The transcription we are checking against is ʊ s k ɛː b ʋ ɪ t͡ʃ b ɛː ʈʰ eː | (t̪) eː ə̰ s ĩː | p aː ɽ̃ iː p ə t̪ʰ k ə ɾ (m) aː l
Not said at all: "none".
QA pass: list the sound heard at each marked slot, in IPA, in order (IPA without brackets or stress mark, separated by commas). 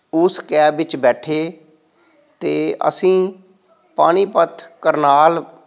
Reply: t̪, n